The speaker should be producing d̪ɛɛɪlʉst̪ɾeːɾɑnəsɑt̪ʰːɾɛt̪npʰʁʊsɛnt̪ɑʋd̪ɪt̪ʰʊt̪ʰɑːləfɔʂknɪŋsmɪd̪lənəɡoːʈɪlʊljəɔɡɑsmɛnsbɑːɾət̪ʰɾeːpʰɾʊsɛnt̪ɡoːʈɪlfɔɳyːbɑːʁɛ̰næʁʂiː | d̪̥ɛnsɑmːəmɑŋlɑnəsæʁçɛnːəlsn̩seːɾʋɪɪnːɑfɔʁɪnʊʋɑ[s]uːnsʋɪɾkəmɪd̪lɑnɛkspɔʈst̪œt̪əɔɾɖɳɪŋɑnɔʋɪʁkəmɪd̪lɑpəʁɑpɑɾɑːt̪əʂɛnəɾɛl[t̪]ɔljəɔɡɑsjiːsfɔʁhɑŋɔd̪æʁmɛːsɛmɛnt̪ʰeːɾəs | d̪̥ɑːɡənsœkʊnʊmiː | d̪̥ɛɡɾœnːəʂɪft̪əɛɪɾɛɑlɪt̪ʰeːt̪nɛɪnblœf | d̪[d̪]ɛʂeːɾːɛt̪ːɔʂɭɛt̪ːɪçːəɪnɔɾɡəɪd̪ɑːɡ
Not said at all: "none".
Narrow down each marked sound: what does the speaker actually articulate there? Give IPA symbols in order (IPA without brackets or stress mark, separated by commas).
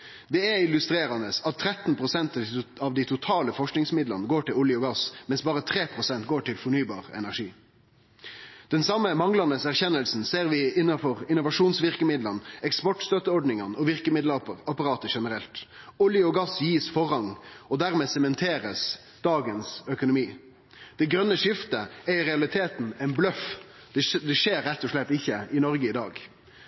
ʂ, t̪, d̪